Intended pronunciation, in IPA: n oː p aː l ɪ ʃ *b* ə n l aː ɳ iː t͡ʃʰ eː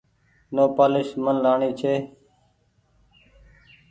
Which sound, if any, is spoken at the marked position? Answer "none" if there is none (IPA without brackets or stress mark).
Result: m